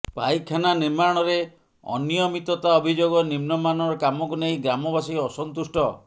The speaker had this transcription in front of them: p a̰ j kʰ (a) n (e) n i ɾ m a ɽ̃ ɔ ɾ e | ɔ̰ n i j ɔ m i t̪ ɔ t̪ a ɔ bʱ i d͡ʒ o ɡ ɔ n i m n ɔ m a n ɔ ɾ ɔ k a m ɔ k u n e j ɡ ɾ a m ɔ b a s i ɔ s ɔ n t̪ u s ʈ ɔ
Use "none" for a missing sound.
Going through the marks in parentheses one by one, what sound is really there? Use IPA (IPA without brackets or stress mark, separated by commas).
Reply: a, a